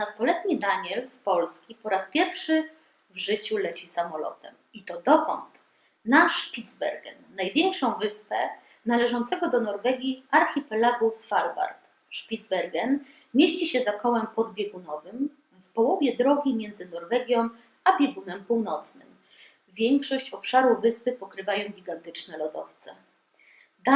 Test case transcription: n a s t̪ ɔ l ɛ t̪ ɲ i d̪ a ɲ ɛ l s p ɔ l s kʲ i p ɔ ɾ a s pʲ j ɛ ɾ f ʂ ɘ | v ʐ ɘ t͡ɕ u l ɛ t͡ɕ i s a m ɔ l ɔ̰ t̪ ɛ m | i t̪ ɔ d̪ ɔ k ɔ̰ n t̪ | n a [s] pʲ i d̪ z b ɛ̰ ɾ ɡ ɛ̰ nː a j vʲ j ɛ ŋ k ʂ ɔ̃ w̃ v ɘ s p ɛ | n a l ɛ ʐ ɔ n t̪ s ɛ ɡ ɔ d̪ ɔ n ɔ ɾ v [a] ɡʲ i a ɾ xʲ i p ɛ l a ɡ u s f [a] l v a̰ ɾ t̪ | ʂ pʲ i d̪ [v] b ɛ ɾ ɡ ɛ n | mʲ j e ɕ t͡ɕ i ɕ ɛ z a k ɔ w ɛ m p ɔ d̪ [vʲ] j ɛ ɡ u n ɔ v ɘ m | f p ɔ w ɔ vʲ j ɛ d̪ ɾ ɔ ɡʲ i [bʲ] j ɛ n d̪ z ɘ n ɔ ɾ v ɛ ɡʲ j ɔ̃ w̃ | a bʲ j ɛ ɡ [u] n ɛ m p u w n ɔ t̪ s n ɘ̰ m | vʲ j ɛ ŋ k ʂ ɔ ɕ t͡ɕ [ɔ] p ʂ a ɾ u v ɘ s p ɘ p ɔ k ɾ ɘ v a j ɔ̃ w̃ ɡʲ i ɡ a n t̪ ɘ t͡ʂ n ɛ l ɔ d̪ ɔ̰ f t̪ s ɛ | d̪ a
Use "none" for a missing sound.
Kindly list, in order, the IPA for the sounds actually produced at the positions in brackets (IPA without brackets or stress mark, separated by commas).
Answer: ʂ, ɛ, a, z, bʲ, mʲ, u, ɔ